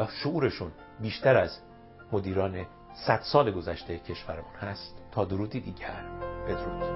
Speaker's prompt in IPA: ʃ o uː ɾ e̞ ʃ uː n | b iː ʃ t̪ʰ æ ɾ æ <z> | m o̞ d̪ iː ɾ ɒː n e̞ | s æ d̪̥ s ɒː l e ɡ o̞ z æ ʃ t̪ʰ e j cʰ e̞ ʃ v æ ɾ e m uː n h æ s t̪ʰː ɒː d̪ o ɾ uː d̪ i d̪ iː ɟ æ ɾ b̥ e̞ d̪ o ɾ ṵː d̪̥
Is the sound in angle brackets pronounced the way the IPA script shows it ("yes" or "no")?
yes